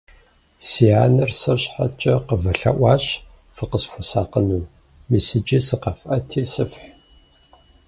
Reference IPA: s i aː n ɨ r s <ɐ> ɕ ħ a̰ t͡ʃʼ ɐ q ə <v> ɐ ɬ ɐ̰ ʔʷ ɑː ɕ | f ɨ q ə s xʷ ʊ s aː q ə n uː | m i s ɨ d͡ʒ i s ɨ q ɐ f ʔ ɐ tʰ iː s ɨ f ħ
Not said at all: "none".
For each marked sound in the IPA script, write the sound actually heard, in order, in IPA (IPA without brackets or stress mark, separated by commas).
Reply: ɐ, v